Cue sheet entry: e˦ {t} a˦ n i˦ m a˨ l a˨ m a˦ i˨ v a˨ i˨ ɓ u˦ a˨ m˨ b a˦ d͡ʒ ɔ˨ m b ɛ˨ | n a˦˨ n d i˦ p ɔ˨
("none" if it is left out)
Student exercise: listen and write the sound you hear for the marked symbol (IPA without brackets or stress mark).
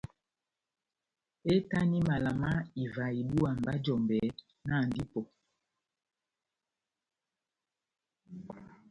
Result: t